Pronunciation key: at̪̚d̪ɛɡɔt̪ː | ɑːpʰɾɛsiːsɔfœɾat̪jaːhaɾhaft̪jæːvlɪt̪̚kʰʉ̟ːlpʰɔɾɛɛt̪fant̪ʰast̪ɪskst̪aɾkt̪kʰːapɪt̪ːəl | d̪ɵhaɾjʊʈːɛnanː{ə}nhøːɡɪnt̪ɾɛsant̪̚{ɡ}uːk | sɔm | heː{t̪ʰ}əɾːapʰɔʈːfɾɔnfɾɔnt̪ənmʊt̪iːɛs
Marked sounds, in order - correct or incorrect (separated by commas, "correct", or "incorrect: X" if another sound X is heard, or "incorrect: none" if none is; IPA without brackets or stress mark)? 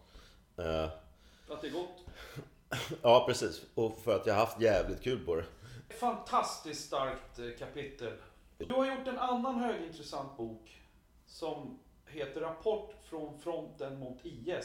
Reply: incorrect: a, incorrect: b, incorrect: t̪